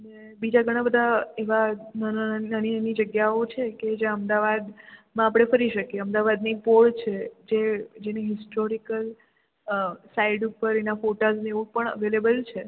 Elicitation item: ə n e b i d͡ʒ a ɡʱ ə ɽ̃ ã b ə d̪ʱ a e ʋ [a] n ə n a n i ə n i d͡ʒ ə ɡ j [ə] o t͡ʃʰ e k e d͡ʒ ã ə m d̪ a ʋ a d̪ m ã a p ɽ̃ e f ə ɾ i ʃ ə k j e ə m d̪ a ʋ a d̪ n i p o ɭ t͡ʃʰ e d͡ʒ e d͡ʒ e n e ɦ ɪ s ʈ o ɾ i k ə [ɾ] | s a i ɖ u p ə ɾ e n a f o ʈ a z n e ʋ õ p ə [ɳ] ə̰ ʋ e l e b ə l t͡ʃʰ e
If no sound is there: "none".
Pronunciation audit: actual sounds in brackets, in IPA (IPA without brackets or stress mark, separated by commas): a, a, l, ɳ